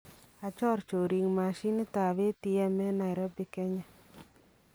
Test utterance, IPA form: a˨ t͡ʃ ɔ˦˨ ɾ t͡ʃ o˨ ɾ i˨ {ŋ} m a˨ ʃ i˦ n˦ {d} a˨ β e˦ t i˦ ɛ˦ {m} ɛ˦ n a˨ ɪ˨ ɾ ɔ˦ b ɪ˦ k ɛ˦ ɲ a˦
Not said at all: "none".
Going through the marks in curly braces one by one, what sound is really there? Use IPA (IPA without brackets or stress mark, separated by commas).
ŋ, t, m